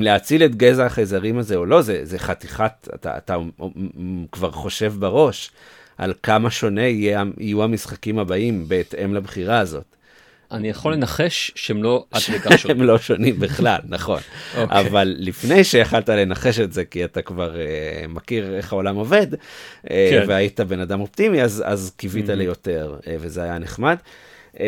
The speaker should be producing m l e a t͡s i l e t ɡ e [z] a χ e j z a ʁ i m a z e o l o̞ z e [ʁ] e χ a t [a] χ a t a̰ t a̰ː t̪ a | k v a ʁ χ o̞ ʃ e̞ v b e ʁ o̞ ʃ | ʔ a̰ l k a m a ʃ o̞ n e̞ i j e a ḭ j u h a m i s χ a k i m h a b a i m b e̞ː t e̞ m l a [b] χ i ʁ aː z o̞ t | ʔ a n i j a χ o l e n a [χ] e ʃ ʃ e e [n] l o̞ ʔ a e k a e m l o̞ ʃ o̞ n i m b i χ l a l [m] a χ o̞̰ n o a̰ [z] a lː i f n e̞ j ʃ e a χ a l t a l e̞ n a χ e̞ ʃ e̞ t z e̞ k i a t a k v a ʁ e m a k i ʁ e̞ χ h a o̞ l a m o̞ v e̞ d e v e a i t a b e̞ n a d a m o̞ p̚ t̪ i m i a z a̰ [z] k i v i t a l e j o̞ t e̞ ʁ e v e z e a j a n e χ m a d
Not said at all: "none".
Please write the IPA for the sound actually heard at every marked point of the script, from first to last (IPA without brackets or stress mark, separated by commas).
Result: z, z, i, b, χ, m, n, v, z